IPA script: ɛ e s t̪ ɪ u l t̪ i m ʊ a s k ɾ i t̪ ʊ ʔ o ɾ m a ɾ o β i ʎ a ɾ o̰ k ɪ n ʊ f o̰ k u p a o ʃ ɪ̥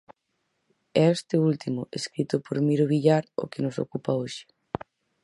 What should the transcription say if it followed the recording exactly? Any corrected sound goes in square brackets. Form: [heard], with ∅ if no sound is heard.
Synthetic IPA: ɛ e s t̪ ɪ u l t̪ i m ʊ [e] s k ɾ i t̪ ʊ [p] o ɾ m [i] ɾ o β i ʎ a ɾ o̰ k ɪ n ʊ [s] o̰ k u p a o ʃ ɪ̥